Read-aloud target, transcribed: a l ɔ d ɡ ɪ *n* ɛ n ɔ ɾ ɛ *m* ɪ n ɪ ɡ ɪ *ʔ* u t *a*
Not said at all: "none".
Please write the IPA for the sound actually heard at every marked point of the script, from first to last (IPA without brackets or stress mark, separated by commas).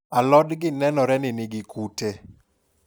n, n, k, e